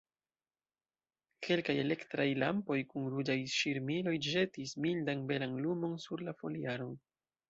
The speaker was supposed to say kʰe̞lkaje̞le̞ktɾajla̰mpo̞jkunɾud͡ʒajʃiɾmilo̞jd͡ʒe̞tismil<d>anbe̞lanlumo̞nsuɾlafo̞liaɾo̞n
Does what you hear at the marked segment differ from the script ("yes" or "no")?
no